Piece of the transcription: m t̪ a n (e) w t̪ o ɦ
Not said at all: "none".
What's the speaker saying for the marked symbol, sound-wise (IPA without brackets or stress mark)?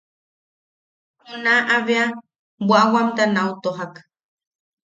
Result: a